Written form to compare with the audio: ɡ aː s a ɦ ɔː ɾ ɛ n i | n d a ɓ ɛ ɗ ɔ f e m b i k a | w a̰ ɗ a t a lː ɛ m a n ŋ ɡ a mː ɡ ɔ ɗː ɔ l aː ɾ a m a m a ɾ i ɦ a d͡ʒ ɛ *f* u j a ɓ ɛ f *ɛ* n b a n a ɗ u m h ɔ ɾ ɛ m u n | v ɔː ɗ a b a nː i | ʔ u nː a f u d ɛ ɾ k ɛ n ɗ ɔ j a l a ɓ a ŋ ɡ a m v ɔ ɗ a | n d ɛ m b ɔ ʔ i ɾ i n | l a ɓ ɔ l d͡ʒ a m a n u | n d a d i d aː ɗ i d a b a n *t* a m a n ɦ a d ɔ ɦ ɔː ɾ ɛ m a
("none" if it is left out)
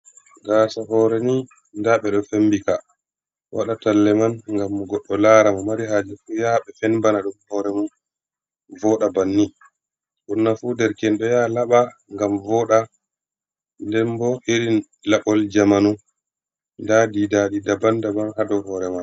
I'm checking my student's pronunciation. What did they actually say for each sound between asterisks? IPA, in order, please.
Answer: f, ɛ, d

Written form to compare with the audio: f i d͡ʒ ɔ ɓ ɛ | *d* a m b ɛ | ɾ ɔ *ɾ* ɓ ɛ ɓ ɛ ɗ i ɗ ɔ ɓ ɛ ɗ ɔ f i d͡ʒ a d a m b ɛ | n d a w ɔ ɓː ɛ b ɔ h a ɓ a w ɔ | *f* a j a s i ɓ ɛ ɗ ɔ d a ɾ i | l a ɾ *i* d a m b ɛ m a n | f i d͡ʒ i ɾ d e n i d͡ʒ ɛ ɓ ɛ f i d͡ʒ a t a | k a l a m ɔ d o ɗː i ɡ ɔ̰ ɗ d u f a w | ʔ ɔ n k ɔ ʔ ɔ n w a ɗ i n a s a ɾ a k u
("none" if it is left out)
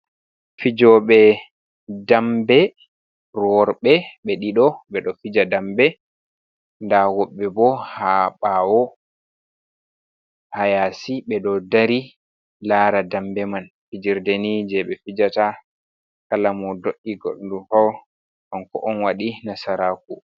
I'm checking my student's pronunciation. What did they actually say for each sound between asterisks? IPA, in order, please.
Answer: d, ɾ, h, a

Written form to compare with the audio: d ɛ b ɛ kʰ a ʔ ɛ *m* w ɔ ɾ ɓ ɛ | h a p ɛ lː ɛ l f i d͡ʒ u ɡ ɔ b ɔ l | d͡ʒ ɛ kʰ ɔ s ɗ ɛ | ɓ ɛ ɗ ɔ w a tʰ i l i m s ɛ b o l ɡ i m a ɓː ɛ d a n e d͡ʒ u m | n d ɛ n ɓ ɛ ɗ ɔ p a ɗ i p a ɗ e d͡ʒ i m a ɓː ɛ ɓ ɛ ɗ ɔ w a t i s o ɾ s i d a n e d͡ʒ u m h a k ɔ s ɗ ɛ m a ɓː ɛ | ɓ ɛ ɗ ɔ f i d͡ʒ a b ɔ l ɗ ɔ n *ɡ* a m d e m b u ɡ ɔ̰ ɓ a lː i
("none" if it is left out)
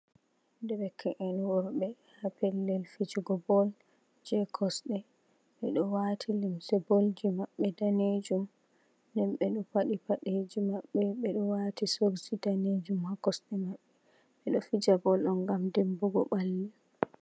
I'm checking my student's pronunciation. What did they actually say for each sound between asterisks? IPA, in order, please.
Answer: n, ɡ

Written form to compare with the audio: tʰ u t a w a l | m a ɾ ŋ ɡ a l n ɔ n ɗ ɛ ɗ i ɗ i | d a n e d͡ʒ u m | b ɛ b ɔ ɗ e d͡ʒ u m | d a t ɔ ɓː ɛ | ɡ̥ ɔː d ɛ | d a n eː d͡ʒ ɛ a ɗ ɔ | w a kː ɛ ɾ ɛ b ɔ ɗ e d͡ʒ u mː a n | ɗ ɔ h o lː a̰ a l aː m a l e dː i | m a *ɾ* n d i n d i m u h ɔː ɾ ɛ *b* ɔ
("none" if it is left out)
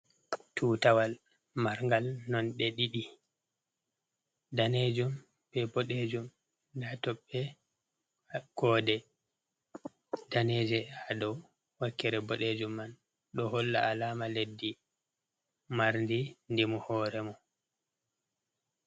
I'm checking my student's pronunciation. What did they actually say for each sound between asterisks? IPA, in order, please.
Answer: ɾ, m

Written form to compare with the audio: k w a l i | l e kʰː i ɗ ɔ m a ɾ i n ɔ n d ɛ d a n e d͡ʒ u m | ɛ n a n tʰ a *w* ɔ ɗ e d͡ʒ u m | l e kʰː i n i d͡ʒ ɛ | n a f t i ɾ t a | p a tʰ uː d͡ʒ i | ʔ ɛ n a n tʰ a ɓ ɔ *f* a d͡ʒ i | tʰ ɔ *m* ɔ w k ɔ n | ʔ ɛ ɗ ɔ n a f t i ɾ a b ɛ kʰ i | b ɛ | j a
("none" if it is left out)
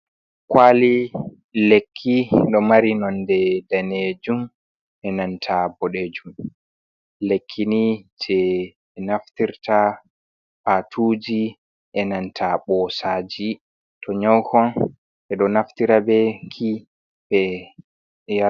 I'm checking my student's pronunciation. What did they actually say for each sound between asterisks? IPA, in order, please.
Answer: b, s, ɲ

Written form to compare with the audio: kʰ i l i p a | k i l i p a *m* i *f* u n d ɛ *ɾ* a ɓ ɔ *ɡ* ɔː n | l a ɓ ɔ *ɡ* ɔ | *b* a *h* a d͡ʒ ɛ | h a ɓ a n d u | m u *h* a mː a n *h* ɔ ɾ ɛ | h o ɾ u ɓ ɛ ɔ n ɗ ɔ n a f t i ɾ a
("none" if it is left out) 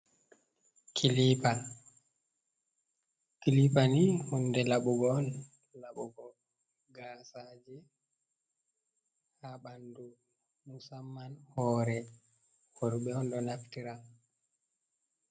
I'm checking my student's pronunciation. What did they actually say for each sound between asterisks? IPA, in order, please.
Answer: n, h, l, ɡ, ɡ, ɡ, s, s, h

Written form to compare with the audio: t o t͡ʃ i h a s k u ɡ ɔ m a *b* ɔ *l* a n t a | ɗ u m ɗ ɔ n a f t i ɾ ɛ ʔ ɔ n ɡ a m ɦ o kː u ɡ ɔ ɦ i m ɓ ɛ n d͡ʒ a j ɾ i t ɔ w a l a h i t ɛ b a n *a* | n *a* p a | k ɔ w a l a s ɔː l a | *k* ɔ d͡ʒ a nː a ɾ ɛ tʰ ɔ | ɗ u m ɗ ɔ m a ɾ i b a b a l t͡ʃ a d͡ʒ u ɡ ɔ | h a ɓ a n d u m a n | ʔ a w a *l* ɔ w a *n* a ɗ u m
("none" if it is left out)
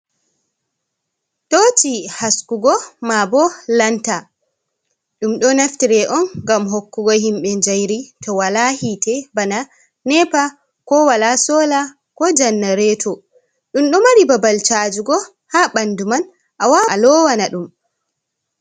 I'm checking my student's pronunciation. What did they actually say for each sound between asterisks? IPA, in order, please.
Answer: b, l, a, ɛ, k, l, n

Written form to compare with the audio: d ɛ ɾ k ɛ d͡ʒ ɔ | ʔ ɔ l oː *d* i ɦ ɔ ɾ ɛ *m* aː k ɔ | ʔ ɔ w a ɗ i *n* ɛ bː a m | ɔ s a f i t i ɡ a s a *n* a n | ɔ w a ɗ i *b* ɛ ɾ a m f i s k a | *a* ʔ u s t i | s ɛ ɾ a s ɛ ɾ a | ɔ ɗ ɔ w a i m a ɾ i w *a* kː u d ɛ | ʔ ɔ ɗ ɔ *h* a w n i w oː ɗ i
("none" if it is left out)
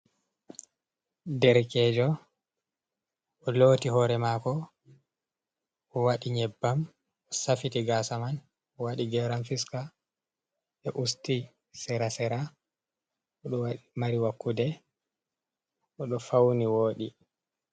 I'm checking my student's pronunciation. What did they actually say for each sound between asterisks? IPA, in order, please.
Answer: t, m, ɲ, m, ɡ, ɛ, a, f

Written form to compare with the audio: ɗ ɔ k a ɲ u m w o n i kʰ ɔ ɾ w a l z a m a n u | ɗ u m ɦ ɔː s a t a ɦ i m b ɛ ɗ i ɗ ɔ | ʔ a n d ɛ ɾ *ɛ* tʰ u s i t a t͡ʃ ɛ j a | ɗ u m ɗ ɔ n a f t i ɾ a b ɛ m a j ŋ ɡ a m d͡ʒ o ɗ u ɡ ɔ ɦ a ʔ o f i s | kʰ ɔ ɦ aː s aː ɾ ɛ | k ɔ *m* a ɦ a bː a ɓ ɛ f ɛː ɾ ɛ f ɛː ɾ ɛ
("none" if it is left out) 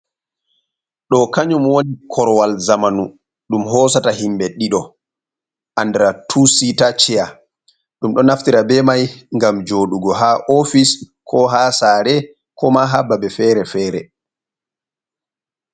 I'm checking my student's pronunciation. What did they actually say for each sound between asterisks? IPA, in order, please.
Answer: a, m

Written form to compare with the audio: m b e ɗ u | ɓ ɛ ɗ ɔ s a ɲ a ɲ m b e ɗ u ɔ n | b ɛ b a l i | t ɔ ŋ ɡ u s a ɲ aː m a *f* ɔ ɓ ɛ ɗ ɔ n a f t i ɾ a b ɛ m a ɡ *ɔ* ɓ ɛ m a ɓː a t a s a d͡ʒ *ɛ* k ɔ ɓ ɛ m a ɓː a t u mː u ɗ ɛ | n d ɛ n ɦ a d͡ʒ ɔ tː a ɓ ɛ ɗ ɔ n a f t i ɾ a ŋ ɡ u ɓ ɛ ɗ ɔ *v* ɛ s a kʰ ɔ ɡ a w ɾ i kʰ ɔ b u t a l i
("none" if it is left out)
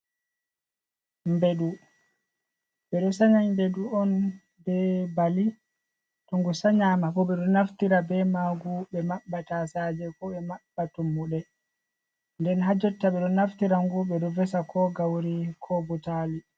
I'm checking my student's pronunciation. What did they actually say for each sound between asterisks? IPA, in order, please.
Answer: f, u, ɛ, v

